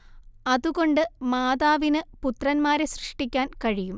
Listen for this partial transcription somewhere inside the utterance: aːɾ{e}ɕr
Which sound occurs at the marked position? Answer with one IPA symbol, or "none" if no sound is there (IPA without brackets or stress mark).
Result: e